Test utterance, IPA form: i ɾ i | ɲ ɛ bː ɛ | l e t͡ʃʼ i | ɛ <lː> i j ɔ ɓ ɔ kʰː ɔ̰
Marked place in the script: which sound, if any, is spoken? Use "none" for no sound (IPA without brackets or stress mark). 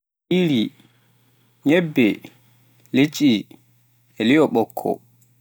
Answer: l